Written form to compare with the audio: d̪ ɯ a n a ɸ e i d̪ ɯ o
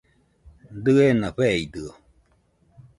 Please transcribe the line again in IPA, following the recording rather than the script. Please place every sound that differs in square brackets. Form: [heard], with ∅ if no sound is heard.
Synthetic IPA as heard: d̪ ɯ [e] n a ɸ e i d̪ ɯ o